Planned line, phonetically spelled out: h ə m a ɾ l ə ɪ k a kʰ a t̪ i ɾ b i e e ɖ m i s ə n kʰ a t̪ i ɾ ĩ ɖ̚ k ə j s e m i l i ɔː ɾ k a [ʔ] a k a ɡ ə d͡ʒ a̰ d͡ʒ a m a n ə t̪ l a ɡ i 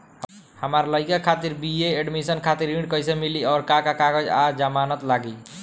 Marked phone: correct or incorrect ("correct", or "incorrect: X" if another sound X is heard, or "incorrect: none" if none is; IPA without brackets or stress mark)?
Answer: incorrect: k